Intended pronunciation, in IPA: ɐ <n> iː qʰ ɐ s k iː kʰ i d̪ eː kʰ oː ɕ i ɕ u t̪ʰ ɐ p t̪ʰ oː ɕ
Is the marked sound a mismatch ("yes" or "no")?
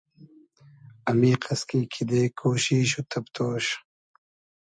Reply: yes